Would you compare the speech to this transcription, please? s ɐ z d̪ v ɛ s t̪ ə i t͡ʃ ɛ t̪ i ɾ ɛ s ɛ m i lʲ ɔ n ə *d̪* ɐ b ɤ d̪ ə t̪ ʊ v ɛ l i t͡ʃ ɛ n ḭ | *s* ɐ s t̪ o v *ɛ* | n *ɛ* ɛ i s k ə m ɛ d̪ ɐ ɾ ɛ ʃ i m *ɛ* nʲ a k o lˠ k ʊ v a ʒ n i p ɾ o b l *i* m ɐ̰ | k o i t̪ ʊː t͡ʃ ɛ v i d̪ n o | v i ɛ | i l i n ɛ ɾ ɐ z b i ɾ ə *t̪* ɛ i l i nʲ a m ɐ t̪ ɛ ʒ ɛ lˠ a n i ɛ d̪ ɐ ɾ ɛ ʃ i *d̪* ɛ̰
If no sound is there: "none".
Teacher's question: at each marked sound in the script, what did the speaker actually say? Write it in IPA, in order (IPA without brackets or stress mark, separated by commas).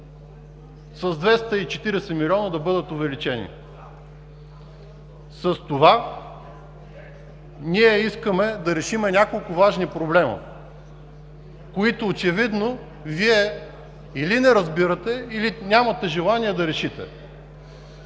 d̪, s, a, i, ɛ, ɛ, t̪, t̪